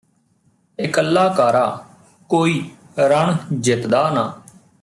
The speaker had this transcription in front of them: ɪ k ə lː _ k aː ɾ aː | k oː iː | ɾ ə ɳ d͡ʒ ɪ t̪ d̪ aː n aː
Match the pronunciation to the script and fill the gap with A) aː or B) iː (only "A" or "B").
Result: A